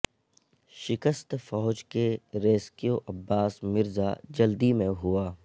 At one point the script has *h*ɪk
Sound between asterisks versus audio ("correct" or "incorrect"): incorrect